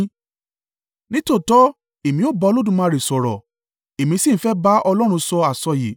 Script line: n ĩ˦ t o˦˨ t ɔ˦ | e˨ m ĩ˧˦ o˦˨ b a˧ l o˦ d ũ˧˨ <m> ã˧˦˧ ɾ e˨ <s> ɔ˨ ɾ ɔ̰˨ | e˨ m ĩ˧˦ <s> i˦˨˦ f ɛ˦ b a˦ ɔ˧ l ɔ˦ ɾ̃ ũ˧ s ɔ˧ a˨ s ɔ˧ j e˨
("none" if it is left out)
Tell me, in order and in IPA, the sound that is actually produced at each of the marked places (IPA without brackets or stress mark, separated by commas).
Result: m, s, s